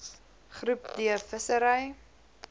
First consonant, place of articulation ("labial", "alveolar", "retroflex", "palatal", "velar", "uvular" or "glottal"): uvular